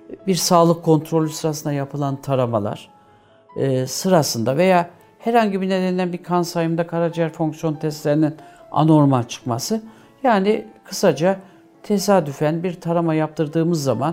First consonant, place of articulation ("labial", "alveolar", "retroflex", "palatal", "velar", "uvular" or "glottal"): labial